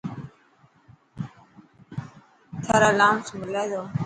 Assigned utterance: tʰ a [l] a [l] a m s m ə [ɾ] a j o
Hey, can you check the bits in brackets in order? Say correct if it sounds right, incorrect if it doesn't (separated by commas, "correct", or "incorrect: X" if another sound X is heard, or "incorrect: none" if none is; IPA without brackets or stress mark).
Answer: incorrect: ɾ, correct, incorrect: l